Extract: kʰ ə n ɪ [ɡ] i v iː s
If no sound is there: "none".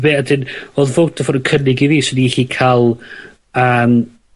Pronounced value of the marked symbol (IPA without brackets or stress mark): ɡ